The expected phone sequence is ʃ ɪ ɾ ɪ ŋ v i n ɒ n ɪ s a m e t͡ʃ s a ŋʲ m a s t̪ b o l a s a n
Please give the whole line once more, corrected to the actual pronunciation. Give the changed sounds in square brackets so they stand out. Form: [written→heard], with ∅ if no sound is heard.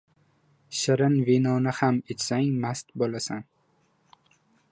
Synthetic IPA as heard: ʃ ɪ ɾ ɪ [ŋ→n] v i n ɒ n ɪ [s→h] a m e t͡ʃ s a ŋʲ m a s t̪ b o l a s a n